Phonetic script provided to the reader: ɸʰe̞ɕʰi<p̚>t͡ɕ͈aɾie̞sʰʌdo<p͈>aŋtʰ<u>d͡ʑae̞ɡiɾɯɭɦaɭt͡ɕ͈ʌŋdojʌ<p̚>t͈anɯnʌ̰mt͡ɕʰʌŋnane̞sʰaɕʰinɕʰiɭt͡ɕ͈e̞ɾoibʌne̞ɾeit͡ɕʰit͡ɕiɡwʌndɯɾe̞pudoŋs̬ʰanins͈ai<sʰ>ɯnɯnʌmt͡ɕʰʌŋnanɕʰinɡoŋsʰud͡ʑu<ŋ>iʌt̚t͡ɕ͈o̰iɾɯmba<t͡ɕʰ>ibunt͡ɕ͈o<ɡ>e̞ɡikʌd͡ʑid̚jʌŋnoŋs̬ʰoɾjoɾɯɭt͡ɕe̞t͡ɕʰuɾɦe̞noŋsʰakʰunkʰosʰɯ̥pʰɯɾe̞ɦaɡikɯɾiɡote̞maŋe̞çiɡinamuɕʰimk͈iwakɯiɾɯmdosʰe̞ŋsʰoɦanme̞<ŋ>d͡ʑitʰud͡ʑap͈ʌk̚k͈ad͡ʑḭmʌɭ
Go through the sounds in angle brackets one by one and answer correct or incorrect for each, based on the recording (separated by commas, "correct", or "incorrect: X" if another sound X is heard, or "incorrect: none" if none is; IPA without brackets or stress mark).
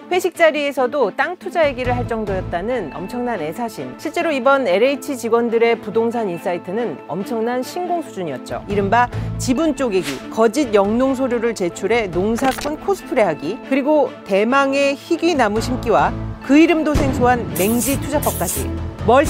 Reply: incorrect: k̚, incorrect: t͈, correct, incorrect: t̚, incorrect: tʰ, incorrect: ɲ, incorrect: t͡ɕ, correct, correct